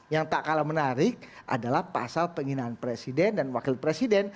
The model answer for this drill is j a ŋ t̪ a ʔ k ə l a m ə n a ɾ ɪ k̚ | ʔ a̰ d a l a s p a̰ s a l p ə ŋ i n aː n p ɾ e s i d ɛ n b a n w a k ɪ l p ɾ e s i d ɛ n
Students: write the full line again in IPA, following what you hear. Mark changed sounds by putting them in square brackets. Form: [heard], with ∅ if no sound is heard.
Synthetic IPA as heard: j a ŋ t̪ a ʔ k [a] l a m ə n a ɾ ɪ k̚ | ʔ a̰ d a l a [h] p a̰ s a l p ə ŋ i n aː n p ɾ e s i d ɛ n [d] a n w a k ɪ l p ɾ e s i d ɛ n